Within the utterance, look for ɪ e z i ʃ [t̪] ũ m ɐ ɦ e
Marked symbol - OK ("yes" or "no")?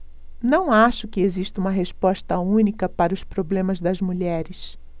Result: yes